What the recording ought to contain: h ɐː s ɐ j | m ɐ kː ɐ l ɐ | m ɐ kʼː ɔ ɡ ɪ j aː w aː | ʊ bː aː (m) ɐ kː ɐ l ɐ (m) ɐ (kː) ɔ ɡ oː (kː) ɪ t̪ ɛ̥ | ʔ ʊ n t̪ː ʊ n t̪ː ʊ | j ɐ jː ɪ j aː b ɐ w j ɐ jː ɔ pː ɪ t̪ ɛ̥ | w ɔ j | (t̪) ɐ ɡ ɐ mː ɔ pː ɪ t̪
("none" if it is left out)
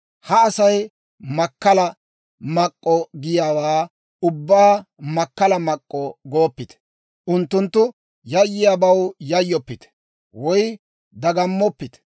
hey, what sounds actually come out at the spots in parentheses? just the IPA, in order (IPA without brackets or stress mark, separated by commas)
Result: m, m, kʼː, pː, d̪